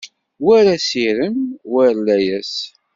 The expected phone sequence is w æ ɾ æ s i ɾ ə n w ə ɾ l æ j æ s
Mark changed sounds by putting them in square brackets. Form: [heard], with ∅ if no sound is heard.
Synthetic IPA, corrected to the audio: w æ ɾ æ s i ɾ ə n w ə ɾ l æ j æ s